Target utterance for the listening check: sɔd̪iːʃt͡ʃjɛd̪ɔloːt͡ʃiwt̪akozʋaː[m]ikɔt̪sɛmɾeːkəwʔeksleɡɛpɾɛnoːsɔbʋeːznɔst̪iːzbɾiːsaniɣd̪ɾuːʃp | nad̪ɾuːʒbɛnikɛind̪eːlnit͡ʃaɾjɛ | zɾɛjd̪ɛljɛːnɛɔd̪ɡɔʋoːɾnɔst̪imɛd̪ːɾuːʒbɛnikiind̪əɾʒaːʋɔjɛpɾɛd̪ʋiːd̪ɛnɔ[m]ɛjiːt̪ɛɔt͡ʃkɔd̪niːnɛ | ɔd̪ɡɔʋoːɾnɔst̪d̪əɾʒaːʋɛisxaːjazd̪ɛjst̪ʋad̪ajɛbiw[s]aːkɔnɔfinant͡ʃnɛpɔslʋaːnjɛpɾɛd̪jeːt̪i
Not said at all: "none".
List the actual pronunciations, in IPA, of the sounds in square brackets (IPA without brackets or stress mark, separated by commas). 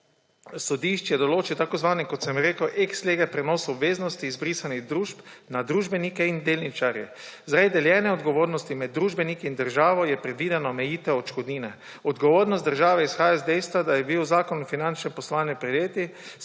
n, m, z